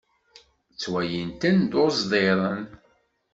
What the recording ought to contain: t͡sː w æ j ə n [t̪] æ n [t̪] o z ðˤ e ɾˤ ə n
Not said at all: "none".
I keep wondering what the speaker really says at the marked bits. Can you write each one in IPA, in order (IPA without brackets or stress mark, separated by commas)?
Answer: t̪, d̪